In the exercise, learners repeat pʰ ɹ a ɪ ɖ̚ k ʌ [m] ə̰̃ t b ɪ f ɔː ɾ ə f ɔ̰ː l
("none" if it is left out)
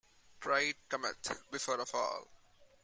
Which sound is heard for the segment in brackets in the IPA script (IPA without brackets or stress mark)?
m